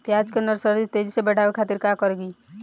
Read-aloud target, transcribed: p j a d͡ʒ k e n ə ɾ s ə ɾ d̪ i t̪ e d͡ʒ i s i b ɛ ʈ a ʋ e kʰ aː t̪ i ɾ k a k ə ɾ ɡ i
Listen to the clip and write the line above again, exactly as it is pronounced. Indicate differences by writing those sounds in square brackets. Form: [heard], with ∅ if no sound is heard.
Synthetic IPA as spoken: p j a d͡ʒ k e n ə ɾ s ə ɾ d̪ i t̪ e d͡ʒ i s [e] b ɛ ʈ a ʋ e kʰ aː t̪ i ɾ k a k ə ɾ ɡ i